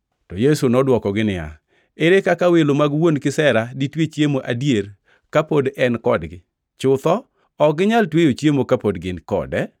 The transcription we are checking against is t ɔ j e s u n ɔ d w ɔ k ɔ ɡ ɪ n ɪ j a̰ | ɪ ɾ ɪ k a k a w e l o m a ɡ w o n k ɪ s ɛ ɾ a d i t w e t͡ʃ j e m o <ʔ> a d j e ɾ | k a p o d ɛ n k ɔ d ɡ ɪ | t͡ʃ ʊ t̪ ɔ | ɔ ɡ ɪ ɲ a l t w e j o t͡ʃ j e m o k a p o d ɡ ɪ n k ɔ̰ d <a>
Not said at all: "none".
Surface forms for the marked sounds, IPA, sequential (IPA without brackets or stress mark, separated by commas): ʔ, ɛ